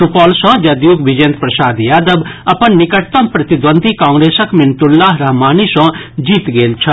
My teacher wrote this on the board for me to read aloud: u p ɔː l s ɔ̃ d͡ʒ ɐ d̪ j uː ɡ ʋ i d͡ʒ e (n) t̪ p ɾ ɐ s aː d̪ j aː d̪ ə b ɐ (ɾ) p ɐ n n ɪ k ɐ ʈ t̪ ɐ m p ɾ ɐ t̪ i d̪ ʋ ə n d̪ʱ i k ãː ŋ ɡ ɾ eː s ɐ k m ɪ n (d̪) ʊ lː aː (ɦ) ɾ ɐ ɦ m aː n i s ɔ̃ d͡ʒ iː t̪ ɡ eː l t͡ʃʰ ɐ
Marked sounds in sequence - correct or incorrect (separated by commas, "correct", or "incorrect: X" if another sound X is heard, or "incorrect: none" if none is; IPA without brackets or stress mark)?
correct, incorrect: none, incorrect: t̪, correct